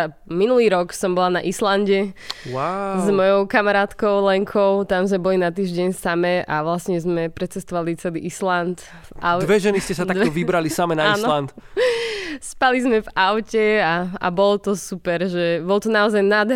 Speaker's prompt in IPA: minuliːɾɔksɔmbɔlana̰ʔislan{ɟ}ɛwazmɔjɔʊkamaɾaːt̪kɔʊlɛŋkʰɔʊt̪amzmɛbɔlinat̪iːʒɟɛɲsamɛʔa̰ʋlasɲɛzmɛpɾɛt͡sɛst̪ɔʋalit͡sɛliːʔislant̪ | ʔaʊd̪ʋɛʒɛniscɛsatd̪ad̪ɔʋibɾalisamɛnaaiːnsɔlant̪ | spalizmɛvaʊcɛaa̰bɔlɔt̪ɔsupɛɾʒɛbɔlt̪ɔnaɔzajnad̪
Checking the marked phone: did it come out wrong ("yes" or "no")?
no